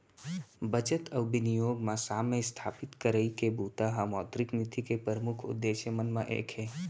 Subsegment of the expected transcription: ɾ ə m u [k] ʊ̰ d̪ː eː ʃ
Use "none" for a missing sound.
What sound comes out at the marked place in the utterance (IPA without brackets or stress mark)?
kʰ